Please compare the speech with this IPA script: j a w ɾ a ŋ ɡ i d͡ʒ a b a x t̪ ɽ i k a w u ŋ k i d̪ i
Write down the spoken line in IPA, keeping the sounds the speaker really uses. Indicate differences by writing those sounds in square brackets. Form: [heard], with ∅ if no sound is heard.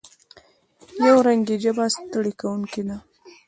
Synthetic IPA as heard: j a w ɾ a ŋ ɡ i d͡ʒ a b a [s] t̪ ɽ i k a w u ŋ k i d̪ [a]